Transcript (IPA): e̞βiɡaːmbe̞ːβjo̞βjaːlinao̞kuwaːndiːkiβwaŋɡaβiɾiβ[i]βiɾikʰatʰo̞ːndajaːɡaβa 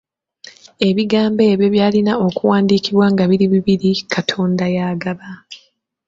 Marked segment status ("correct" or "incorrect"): correct